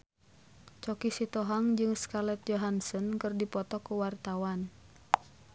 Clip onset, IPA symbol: t͡ʃ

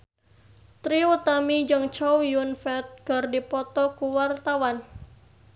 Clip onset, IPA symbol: t̪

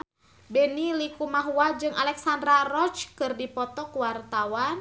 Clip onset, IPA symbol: b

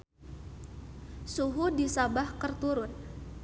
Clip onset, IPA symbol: s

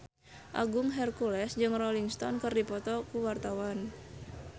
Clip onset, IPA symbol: ʔ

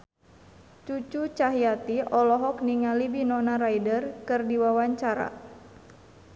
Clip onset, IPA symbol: t͡ʃ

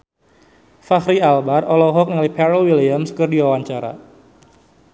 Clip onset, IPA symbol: f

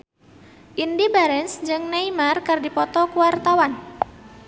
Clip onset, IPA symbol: ʔ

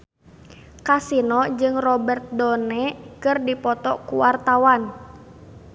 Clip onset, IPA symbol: k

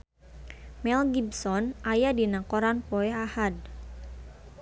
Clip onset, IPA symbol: m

